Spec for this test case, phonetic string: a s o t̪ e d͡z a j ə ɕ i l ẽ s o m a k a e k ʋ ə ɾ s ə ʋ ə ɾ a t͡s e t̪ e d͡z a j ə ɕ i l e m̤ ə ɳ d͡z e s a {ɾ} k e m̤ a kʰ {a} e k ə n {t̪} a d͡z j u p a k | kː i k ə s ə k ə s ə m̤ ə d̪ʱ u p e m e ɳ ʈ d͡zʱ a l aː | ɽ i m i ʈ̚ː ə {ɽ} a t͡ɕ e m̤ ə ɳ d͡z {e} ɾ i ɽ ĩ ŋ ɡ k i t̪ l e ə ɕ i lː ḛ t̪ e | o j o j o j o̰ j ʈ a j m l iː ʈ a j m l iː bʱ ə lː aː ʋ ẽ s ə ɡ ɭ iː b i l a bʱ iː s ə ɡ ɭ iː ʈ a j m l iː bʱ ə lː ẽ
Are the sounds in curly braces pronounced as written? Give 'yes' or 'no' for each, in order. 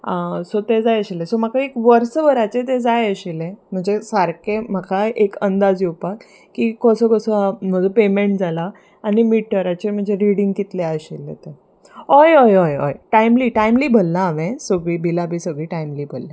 yes, yes, no, no, yes

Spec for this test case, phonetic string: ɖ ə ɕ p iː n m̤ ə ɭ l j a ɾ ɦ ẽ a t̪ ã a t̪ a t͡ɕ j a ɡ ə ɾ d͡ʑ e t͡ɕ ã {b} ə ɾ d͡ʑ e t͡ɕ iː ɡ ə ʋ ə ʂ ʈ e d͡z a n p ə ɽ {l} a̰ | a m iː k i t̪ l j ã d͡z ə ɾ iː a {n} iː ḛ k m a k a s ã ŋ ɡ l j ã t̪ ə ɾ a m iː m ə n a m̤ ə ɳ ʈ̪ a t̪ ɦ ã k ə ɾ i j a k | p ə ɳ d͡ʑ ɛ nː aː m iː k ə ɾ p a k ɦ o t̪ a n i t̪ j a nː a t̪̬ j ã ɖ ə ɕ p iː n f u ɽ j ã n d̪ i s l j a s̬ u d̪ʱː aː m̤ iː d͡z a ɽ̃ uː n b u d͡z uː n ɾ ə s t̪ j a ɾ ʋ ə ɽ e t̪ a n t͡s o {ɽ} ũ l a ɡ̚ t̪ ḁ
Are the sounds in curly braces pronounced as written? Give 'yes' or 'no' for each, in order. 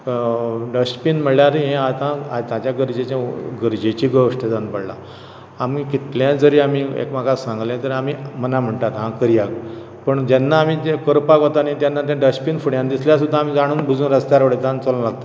no, yes, no, no

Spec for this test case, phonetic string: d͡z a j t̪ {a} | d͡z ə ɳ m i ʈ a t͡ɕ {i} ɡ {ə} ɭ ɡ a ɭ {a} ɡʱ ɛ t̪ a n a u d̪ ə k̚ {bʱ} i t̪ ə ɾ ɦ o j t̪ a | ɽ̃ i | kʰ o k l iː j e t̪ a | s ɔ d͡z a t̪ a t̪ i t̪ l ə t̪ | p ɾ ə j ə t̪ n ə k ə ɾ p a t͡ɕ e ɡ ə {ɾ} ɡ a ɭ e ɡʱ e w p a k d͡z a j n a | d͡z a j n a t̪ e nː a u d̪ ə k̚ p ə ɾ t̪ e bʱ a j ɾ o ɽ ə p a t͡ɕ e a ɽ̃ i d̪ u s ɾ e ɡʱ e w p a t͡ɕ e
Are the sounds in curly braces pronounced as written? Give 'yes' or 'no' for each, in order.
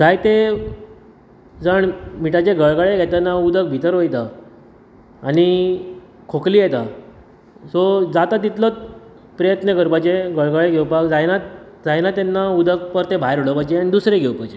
no, no, yes, no, yes, no

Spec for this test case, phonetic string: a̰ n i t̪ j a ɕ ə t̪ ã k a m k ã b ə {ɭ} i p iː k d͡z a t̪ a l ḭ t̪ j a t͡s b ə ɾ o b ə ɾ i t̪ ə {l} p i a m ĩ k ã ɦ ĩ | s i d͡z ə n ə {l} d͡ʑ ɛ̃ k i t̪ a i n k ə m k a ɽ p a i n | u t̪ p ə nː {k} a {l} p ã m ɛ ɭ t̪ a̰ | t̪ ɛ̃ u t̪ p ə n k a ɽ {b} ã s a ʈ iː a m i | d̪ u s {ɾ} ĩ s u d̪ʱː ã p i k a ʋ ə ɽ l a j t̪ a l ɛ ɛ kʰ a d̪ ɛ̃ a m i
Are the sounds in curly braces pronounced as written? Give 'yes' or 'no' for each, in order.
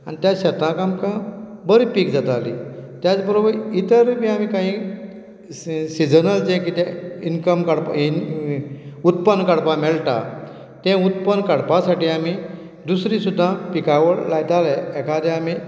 no, no, yes, yes, no, no, yes

